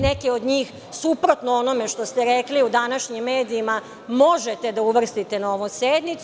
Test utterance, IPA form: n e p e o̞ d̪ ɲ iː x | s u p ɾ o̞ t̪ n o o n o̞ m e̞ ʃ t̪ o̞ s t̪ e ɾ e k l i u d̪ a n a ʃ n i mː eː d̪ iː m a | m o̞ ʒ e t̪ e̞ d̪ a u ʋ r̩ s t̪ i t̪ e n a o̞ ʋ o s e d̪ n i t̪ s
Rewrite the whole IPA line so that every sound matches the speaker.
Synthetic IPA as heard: n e k e o̞ d̪ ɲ iː x | s u p ɾ o̞ t̪ n o o n o̞ m e̞ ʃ t̪ o̞ s t̪ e ɾ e k l i u d̪ a n a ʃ ɲ i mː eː d̪ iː m a | m o̞ ʒ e t̪ e̞ d̪ a u ʋ r̩ s t̪ i t̪ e n a o̞ ʋ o s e d̪ n i t̪ s